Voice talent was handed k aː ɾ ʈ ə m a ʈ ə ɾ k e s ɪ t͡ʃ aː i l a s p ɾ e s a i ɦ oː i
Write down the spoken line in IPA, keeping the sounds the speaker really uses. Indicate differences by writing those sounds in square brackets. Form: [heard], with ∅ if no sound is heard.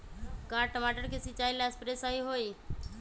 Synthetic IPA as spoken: k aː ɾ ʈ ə m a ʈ ə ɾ k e s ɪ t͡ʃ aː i l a s p ɾ e s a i ɦ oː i